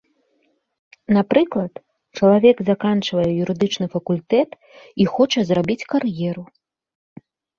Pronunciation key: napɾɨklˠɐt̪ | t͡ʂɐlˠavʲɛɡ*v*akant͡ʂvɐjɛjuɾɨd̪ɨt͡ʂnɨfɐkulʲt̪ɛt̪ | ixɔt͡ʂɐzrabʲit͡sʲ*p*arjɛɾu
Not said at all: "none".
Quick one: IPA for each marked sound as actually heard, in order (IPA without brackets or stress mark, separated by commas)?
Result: z, k